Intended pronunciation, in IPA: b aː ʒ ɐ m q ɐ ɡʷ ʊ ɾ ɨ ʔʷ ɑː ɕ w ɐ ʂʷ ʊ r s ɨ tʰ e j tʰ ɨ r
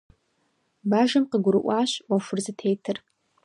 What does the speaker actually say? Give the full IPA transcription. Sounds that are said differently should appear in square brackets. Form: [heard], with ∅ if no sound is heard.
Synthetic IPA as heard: b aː ʒ ɐ m q [ə] ɡʷ ʊ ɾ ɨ ʔʷ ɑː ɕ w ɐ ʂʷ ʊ r [z] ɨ tʰ e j tʰ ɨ r